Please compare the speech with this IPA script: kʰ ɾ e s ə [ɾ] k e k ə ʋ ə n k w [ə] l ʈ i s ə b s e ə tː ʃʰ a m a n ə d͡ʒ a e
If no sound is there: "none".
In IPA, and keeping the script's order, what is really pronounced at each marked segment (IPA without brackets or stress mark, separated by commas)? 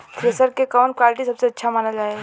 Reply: ɾ, a